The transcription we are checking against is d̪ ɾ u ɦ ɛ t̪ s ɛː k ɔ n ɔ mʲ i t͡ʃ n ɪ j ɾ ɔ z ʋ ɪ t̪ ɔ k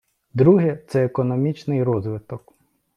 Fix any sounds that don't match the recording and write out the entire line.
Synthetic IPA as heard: d̪ ɾ u ɦ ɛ t̪ s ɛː k ɔ n ɔ mʲ i t͡ʃ n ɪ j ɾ ɔ z ʋ ɪ t̪ ɔ k